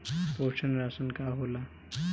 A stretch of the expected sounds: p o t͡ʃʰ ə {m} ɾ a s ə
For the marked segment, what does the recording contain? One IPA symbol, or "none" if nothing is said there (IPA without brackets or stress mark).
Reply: n